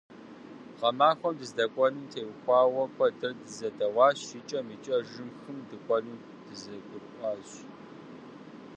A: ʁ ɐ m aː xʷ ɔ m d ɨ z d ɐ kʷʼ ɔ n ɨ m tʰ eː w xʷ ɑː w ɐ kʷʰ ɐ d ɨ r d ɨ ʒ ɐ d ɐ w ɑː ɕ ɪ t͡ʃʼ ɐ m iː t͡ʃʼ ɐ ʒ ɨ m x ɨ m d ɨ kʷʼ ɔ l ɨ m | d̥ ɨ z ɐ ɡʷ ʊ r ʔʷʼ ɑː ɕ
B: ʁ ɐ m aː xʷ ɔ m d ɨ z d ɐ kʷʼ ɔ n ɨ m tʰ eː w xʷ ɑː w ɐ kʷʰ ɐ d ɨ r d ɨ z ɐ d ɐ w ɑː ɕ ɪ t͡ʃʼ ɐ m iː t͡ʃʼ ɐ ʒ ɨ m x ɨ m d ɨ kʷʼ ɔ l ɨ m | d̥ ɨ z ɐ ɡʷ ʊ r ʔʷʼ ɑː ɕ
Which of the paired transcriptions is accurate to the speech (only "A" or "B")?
B